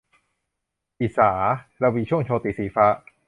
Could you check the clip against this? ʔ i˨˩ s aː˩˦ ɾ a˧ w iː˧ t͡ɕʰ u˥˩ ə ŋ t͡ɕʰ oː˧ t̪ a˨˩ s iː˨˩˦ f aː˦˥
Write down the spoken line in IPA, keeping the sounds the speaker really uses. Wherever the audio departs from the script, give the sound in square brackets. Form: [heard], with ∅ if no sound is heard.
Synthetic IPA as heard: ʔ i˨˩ s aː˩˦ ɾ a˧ w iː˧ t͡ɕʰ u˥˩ ə ŋ t͡ɕʰ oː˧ t̪ [i˨˩] s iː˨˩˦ f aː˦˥